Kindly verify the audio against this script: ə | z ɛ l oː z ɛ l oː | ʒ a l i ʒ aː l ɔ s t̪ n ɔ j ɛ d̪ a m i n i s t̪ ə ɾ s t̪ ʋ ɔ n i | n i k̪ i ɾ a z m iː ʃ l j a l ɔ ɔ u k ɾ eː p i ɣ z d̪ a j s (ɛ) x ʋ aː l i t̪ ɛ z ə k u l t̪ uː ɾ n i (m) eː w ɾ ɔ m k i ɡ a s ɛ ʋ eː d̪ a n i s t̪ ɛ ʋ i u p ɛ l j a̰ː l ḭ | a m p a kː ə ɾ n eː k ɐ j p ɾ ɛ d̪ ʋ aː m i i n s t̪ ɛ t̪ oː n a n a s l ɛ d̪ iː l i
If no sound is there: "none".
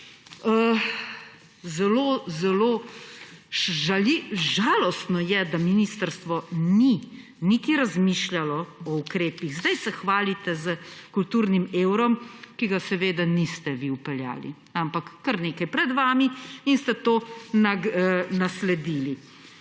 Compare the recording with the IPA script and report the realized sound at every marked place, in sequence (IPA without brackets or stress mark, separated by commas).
ɛ, m